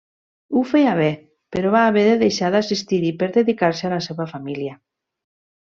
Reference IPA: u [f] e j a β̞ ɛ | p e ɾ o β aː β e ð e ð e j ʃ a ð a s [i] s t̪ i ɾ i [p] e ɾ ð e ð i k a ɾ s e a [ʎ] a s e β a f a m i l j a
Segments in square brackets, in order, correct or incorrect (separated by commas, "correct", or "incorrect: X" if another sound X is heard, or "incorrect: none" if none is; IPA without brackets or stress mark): correct, correct, correct, incorrect: l